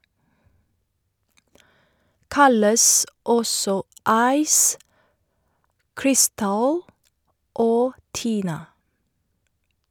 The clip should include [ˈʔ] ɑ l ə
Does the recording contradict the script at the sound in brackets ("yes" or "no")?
yes